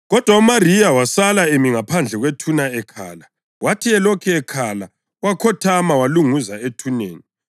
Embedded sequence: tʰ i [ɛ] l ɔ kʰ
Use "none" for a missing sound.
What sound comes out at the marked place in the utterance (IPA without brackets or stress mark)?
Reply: ɛ